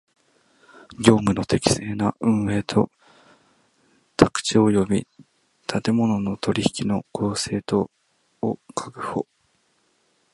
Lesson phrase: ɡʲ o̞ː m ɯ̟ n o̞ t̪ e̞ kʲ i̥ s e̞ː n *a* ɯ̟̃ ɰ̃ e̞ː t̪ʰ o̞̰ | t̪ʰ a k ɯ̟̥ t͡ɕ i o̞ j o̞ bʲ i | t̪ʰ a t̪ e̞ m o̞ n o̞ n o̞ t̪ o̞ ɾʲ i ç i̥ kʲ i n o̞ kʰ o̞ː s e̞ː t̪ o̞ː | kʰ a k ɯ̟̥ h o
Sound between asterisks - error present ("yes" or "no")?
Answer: no